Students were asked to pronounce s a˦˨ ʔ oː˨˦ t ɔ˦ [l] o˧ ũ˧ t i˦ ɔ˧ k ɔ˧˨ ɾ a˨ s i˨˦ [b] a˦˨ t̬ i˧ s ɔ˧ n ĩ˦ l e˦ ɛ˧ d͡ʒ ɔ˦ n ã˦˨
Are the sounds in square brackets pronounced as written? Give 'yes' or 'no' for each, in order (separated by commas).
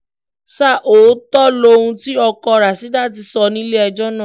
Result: yes, no